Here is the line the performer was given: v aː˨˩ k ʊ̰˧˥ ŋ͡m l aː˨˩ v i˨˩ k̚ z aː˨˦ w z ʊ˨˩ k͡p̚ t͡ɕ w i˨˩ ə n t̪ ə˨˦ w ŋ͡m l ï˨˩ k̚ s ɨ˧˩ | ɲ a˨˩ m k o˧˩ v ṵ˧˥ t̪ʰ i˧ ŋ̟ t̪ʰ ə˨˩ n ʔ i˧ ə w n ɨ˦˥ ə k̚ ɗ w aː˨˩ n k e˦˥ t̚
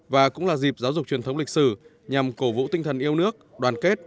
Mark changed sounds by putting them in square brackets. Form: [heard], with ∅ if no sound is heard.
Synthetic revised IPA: v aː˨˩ k ʊ̰˧˥ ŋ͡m l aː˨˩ [z] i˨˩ [p̚] z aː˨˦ w z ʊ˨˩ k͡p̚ t͡ɕ w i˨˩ ə n t̪ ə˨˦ w ŋ͡m l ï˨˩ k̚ s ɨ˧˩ | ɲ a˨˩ m k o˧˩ v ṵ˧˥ [t̪] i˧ ŋ̟ t̪ʰ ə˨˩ n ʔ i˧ ə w n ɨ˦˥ ə k̚ ɗ w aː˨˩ n k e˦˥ t̚